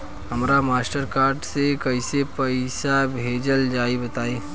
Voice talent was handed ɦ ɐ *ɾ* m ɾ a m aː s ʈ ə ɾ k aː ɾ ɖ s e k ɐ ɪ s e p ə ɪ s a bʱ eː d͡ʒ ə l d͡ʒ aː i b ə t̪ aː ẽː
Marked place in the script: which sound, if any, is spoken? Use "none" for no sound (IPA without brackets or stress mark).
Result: none